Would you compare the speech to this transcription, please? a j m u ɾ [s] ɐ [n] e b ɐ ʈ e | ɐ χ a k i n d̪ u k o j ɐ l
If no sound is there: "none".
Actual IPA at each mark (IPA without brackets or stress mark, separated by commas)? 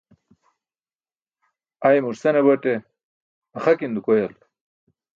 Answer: s, n